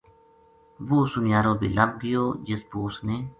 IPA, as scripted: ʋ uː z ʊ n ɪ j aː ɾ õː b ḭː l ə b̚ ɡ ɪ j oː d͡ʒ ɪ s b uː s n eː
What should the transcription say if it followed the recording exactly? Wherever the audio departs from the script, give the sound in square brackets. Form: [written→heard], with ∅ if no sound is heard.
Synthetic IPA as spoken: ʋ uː [z→s] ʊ n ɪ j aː ɾ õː b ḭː l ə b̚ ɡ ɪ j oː d͡ʒ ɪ s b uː s n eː